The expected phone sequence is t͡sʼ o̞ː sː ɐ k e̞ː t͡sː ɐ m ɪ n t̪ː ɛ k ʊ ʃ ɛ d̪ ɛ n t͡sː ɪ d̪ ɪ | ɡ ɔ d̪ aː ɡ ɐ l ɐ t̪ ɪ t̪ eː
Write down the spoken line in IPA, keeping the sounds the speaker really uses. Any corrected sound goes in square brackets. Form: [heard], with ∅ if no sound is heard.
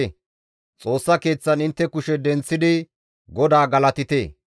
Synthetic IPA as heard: t͡sʼ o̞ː sː ɐ k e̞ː t͡sː ɐ [n] ɪ n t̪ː ɛ k ʊ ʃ ɛ d̪ ɛ n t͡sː ɪ d̪ ɪ | ɡ ɔ d̪ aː ɡ ɐ l ɐ t̪ ɪ t̪ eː